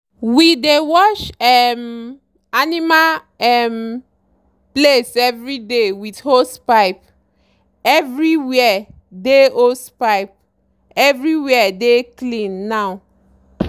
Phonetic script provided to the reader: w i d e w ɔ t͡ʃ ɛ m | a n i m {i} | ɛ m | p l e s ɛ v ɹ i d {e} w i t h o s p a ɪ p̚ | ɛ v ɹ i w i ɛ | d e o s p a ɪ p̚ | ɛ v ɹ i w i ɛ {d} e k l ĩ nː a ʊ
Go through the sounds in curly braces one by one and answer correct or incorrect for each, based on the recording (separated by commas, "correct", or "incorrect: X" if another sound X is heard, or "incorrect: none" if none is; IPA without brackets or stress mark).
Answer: incorrect: a, correct, correct